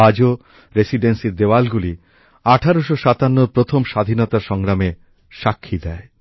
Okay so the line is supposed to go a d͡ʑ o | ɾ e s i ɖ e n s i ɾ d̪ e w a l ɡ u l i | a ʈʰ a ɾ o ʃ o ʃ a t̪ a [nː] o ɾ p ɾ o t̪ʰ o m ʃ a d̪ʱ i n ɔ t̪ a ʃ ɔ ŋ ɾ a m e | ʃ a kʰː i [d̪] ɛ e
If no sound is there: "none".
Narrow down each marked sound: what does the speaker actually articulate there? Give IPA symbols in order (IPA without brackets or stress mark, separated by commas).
nː, d̪